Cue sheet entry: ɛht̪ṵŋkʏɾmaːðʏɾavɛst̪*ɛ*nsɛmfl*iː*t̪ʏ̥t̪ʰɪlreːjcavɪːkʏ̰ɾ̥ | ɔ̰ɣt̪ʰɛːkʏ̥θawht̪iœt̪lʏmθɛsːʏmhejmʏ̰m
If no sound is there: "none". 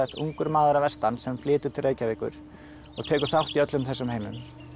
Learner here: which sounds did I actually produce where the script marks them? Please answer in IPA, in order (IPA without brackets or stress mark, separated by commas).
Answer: a, ɪː